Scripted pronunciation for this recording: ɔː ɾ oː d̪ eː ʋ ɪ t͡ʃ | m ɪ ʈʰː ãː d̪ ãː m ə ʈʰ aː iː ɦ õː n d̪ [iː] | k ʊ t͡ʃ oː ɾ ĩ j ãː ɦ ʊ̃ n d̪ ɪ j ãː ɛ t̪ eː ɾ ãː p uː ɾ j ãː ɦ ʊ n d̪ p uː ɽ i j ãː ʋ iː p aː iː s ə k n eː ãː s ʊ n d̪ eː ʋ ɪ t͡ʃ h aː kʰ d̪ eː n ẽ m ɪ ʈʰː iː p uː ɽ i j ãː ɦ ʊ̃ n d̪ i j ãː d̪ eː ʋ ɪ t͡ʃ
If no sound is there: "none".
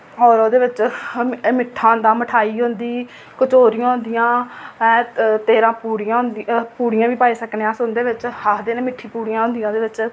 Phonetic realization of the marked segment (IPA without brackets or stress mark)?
iː